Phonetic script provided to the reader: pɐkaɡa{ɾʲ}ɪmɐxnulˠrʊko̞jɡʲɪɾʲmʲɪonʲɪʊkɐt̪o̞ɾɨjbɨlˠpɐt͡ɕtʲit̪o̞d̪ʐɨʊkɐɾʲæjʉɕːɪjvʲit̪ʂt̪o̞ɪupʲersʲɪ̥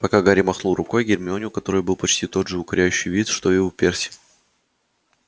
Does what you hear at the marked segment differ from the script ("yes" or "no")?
no